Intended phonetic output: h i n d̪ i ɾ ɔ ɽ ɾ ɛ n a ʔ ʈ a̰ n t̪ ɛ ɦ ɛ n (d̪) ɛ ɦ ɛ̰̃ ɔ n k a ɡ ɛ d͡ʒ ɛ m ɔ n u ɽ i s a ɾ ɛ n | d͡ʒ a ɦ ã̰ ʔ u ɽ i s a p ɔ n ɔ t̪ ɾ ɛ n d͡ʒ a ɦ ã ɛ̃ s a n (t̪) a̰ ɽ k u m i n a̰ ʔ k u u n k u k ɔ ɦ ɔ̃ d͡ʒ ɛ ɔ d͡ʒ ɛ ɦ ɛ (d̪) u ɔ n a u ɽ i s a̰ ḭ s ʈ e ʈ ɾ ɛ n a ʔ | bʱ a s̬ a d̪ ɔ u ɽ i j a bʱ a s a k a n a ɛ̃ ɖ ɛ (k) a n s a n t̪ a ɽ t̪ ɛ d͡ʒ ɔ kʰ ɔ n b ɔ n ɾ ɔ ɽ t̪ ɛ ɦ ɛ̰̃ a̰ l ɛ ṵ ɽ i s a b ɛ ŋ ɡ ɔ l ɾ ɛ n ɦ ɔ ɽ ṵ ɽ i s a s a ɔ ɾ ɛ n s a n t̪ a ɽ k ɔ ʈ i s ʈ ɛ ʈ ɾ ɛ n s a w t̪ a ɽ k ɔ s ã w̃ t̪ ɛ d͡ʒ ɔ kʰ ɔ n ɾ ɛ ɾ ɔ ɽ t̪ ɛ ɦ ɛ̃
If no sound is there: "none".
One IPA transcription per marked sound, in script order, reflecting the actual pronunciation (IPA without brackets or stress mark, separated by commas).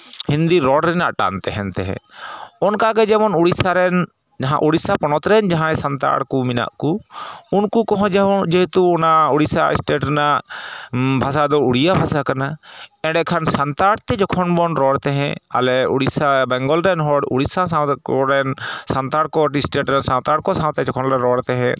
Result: t̪, t̪, t̪, kʰ